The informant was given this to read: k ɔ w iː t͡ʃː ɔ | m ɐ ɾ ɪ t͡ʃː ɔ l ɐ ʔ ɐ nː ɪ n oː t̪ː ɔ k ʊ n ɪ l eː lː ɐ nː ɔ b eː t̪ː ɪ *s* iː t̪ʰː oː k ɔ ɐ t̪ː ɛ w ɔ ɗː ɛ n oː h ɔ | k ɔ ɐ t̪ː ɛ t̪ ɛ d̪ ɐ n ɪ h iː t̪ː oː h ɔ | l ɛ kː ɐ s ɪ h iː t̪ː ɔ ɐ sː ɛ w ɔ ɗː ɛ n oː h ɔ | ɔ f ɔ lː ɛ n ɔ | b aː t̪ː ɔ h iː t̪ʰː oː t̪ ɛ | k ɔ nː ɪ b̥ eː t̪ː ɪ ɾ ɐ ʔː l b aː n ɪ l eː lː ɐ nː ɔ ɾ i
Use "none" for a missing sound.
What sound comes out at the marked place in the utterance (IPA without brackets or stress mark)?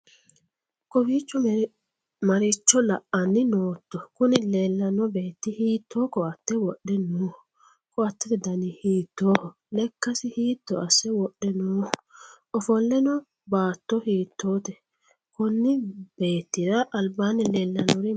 h